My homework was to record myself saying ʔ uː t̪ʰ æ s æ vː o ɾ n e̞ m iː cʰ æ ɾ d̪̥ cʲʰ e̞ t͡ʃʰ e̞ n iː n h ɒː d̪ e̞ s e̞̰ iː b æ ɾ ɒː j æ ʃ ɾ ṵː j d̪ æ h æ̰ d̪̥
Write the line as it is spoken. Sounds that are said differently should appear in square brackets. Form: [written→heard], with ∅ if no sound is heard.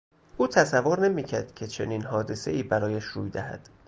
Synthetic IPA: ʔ uː t̪ʰ æ s æ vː o ɾ n e̞ m iː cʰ æ ɾ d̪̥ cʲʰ e̞ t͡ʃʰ e̞ n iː n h ɒː d̪ e̞ s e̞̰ iː b æ ɾ ɒː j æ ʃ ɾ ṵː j d̪ æ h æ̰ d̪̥